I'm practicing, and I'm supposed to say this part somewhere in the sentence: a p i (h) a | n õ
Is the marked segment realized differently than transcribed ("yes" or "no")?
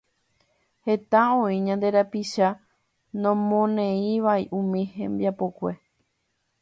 yes